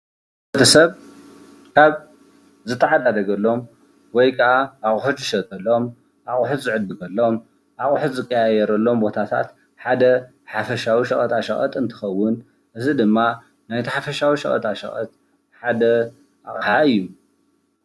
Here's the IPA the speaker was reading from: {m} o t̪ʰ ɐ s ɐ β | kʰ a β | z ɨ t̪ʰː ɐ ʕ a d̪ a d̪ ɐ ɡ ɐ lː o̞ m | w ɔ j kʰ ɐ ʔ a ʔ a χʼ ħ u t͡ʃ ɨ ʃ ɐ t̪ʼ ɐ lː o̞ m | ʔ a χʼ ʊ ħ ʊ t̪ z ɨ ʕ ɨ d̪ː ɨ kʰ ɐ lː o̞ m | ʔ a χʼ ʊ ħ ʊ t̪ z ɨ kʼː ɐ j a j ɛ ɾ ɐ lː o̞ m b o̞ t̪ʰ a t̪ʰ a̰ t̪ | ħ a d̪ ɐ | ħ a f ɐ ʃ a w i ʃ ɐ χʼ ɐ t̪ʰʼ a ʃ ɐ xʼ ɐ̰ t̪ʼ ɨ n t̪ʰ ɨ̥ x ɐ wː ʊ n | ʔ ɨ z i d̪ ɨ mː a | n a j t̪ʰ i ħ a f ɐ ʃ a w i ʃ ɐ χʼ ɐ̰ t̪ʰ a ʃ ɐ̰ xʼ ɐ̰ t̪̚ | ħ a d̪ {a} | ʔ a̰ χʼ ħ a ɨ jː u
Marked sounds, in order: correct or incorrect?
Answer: incorrect, incorrect

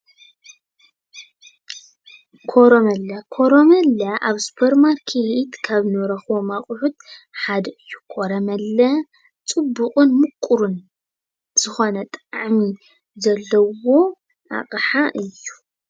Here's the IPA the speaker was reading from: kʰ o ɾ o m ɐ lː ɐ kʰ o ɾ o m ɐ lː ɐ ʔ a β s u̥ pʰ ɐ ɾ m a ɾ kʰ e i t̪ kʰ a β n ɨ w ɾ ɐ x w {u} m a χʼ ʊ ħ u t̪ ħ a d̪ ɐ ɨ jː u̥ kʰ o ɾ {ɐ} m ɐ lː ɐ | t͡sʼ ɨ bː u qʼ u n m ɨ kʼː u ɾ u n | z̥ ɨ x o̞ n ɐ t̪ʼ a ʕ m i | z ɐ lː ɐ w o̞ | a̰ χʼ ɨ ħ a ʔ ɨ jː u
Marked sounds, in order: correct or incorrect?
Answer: incorrect, correct

